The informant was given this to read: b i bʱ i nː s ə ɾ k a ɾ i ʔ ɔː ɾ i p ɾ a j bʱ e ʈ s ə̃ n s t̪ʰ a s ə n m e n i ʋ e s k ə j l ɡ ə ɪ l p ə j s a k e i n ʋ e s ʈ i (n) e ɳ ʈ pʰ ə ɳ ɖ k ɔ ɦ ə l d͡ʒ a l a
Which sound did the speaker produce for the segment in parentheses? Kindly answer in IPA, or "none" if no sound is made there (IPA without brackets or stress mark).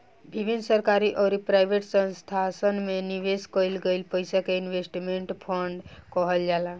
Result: m